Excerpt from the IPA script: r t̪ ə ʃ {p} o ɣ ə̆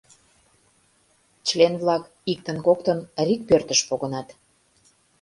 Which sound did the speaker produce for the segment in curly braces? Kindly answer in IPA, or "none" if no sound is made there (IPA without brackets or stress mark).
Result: p